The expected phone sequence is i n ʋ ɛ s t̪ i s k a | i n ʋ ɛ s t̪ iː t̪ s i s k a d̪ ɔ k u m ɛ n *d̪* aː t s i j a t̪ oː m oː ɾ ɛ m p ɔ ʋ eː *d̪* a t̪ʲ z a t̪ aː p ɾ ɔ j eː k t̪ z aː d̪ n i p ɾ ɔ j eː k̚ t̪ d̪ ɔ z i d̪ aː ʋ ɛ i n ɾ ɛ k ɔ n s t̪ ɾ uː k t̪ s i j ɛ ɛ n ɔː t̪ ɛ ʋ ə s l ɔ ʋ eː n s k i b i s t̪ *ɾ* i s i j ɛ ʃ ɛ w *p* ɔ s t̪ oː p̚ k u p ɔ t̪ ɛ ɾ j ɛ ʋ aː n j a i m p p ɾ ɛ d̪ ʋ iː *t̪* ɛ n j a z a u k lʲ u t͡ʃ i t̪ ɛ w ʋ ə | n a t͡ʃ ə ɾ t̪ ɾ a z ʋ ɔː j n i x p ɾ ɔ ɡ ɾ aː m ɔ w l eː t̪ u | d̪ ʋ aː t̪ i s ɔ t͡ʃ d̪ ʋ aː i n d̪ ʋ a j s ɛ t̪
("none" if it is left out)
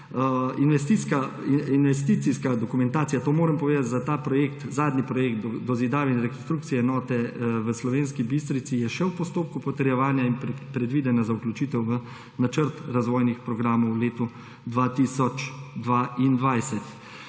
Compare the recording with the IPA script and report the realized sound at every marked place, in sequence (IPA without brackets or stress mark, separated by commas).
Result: t̪, d̪, ɾ, p, d̪